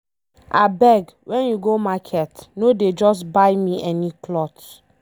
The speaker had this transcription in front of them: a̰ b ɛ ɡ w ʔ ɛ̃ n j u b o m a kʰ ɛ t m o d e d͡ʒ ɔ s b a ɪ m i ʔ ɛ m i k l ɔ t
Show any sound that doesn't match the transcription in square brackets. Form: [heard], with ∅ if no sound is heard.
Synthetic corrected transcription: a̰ b ɛ ɡ w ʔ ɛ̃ n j u [ɡ] o m a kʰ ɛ t [n] o d e d͡ʒ ɔ s b a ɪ m i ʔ ɛ [n] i k l ɔ t